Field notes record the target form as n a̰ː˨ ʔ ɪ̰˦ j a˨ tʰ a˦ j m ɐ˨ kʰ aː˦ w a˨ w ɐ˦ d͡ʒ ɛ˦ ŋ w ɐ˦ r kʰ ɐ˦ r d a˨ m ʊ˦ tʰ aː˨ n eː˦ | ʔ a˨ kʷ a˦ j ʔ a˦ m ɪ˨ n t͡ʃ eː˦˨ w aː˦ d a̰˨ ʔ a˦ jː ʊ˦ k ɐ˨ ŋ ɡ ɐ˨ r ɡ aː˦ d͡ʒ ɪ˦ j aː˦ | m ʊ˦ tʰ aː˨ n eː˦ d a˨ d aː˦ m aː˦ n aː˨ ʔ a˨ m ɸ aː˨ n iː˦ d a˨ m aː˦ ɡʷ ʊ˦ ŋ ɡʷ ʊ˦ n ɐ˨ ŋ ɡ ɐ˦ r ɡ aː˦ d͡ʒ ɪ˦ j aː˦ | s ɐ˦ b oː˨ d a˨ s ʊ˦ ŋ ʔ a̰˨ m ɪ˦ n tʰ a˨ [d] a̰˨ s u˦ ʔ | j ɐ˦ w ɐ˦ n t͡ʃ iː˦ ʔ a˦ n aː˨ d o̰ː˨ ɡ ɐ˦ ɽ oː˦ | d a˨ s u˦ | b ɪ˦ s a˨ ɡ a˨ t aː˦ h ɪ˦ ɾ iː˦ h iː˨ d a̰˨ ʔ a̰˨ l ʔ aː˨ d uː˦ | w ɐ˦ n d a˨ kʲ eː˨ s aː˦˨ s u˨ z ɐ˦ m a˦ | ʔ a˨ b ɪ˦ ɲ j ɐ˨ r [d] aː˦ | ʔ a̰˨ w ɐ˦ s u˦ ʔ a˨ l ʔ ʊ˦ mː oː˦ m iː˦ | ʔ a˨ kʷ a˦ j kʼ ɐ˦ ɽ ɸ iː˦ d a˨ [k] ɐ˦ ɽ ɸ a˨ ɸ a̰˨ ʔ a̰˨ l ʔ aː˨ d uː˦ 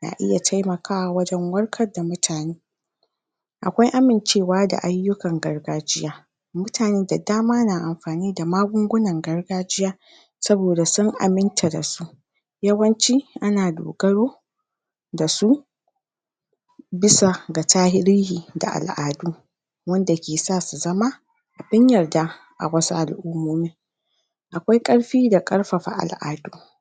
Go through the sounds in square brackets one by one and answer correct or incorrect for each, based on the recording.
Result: correct, correct, incorrect: kʼ

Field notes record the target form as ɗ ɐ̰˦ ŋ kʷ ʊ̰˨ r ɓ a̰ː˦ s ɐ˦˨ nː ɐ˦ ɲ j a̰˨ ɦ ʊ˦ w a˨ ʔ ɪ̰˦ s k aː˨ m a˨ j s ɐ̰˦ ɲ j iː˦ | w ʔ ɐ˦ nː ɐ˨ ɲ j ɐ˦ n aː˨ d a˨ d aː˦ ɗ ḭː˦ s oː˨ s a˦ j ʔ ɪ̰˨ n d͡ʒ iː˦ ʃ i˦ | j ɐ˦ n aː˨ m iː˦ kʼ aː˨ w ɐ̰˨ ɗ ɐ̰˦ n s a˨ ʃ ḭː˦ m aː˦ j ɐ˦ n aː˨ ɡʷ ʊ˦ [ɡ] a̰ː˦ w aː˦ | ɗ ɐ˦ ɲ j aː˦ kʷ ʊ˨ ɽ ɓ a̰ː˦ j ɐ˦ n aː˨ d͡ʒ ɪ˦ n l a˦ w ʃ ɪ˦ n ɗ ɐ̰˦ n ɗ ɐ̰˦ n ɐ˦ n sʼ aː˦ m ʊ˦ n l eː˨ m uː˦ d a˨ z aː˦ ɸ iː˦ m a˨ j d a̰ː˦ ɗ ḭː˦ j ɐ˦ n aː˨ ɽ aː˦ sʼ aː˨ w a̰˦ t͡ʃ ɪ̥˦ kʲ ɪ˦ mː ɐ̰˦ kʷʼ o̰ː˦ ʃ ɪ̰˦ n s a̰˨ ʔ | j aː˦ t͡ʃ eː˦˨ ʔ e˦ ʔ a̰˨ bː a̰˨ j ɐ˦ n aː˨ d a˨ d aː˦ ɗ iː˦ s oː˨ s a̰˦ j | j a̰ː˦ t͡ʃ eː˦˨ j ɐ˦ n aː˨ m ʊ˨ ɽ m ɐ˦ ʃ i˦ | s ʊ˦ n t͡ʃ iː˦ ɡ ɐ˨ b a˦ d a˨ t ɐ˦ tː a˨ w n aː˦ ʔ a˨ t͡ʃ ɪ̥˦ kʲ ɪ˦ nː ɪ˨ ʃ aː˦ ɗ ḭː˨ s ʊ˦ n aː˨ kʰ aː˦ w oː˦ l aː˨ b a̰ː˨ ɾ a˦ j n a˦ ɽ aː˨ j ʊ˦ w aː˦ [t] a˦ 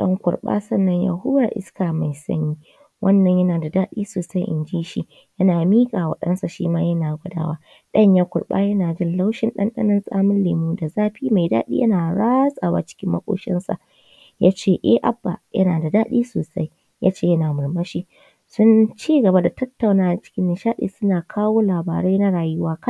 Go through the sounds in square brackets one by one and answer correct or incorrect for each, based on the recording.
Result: incorrect: d, incorrect: k

